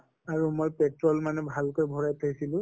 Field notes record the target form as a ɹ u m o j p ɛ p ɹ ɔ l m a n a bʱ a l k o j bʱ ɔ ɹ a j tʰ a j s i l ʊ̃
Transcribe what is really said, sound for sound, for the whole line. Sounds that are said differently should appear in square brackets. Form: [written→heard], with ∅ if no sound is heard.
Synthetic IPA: a ɹ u m o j p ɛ [p→t] ɹ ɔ l m a n [a→ɛ] bʱ a l k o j bʱ ɔ ɹ a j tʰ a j s i l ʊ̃

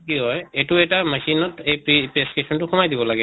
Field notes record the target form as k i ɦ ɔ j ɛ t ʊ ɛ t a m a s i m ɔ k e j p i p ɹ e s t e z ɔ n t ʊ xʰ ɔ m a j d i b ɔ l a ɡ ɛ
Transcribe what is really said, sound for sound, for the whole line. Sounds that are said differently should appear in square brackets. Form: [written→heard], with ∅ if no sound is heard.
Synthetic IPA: k i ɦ ɔ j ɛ t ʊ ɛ t a m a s i [m→n] ɔ [k→t] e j p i p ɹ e s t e [z→s] ɔ n t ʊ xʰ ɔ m a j d i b ɔ l a ɡ ɛ

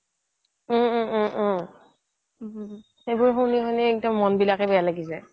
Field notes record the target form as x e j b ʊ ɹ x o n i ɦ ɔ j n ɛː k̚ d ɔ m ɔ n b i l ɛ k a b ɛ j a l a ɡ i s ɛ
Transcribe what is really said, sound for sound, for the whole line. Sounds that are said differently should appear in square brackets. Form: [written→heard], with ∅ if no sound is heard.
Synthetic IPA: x e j b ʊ ɹ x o n i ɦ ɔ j n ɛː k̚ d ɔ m ɔ n b i l [ɛ→a] k [a→ɛ] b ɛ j a l a ɡ i s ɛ

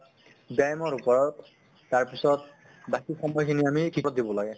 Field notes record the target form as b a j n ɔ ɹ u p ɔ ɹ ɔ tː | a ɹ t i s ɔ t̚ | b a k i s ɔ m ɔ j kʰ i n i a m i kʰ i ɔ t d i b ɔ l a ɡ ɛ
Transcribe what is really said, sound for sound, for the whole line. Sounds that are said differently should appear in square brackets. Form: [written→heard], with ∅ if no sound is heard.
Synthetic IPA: b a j [n→m] ɔ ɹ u p ɔ ɹ ɔ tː | a ɹ [t→p] i s ɔ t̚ | b a k i [s→x] ɔ m ɔ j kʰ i n i a m i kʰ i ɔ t d i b ɔ l a ɡ ɛ

